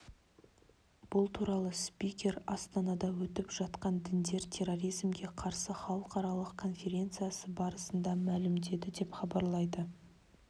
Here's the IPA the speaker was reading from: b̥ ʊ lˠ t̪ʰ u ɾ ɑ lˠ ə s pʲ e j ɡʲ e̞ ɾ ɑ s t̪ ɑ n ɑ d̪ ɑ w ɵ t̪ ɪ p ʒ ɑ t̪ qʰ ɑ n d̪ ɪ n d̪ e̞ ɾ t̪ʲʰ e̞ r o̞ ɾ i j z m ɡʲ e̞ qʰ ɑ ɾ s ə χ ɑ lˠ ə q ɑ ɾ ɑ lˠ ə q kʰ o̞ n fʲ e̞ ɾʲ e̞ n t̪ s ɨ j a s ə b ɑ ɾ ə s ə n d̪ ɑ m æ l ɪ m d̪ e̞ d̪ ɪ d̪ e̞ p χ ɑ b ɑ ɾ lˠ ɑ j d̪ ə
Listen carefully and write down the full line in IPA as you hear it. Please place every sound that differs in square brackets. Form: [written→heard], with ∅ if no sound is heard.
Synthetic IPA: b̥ ʊ lˠ t̪ʰ u ɾ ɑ lˠ ə s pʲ [e→i] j [ɡʲ→kʲ] e̞ ɾ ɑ s t̪ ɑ n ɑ d̪ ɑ w ɵ t̪ ɪ p ʒ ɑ t̪ [qʰ→q] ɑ n d̪ ɪ n d̪ e̞ ɾ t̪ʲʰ e̞ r o̞ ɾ i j z m ɡʲ e̞ qʰ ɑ ɾ s ə χ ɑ lˠ ə q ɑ ɾ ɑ lˠ ə q kʰ o̞ n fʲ e̞ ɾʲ e̞ n t̪ s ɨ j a s ə b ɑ ɾ ə s ə n d̪ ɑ m æ l ɪ m d̪ e̞ d̪ ɪ d̪ e̞ p χ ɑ b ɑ ɾ lˠ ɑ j d̪ ə